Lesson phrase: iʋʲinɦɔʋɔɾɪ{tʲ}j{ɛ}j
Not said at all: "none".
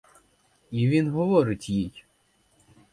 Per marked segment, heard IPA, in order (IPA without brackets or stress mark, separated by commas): tʲ, i